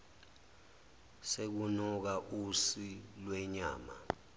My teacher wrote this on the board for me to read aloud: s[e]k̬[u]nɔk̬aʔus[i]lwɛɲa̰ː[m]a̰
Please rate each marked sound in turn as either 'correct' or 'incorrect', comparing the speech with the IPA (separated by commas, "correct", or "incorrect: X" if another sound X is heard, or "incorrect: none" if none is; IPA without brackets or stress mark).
correct, correct, correct, correct